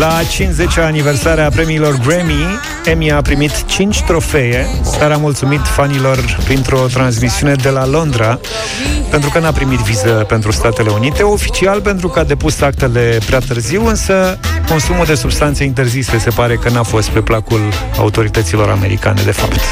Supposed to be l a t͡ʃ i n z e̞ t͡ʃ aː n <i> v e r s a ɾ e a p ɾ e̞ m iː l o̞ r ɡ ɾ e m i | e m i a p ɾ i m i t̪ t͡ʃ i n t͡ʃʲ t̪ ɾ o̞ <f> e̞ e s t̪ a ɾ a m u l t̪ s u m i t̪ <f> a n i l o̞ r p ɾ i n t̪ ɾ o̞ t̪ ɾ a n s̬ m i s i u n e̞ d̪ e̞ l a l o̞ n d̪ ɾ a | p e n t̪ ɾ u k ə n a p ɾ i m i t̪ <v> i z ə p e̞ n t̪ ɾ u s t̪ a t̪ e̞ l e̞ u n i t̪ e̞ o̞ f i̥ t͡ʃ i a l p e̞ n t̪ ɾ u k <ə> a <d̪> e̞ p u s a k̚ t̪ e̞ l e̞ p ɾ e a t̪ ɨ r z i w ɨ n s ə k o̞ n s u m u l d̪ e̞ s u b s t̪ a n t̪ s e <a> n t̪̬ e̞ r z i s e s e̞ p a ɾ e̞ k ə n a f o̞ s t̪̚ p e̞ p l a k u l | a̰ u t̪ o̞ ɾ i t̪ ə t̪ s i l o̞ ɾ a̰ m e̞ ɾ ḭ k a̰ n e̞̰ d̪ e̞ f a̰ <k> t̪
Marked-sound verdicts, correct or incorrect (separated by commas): correct, correct, correct, correct, correct, correct, incorrect, incorrect